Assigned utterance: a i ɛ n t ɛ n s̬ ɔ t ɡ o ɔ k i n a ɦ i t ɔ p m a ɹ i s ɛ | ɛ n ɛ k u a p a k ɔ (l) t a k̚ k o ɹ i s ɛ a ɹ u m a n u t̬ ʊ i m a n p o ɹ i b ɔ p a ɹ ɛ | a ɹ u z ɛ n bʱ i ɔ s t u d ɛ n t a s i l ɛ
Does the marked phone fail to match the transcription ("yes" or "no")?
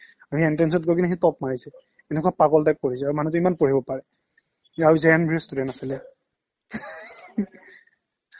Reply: no